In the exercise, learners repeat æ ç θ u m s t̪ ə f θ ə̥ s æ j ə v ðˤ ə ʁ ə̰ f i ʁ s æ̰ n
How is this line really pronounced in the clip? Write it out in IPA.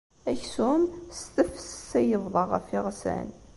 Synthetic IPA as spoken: æ ç s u m s t̪ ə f s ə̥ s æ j ə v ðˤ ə ʁ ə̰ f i ʁ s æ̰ n